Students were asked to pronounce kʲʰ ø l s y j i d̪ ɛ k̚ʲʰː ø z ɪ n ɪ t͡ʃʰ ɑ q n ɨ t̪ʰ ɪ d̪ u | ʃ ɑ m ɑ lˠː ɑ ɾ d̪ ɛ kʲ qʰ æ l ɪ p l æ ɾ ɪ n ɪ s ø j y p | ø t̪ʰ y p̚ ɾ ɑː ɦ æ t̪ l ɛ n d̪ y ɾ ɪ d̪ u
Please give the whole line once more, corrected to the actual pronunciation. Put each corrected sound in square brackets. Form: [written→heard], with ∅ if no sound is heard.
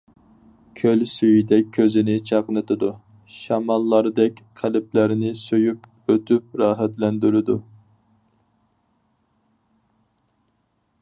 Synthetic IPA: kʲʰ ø l s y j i d̪ ɛ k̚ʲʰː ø z ɪ n ɪ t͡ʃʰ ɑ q n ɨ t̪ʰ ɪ d̪ u | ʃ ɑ m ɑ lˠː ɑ ɾ d̪ ɛ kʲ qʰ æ l ɪ p l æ ɾ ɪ n ɪ s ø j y p | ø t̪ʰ y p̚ ɾ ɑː ɦ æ t̪ l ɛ n d̪ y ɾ ɪ d̪ u